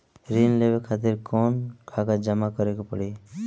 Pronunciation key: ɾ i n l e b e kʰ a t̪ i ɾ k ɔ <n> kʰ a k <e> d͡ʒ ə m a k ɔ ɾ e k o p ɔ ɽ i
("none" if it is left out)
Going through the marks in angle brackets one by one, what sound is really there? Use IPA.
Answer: n, a

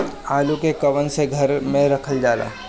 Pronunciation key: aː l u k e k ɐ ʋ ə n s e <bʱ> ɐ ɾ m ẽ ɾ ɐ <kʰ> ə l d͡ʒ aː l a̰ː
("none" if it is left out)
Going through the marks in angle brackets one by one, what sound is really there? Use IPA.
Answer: ɡʱ, kʰ

